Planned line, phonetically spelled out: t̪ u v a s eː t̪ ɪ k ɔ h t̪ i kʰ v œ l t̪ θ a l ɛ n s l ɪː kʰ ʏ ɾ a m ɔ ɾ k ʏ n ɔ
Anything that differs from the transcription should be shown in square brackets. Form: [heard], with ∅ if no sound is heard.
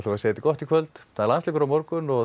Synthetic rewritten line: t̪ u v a s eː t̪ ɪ k ɔ h t̪ i kʰ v œ l t̪ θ a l [a] n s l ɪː [k] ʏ ɾ a m ɔ ɾ k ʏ n ɔ